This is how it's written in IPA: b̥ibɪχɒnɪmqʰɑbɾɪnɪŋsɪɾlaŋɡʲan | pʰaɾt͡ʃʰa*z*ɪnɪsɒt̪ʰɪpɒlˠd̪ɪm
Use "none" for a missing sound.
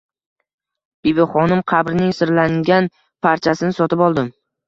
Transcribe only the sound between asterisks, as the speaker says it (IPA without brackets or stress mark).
s